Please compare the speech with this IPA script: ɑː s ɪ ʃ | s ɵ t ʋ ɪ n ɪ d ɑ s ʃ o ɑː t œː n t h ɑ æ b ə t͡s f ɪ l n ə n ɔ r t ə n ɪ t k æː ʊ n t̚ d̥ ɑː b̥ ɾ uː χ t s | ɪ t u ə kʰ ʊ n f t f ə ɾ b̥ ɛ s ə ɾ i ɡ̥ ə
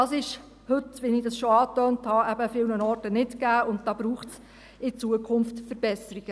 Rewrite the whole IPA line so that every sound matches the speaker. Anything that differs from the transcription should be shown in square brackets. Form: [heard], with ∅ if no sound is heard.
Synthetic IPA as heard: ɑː s ɪ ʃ | [h] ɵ t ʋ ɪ n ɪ d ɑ s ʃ o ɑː t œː n t h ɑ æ b ə [∅] f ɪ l n ə n ɔ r t ə n ɪ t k æː ʊ n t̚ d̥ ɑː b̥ ɾ uː χ t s | ɪ [t͡s] u ə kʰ ʊ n f t f ə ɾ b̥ ɛ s ə ɾ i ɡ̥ ə